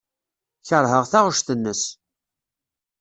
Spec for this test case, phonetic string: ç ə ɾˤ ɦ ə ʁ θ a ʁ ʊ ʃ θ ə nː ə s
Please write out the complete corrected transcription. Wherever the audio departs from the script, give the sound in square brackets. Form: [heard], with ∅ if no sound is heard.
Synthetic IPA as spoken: ç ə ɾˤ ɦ ə ʁ θ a ʁ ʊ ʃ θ ə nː ə s